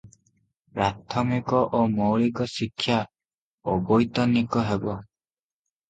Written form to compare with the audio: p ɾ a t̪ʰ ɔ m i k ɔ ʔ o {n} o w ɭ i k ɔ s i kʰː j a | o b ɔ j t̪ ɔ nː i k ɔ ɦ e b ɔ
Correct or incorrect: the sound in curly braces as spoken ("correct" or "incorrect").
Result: incorrect